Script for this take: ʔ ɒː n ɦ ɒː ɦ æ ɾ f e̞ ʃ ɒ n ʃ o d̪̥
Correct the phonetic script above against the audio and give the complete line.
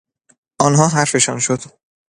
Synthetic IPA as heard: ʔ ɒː n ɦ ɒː ɦ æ ɾ f e̞ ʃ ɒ n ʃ o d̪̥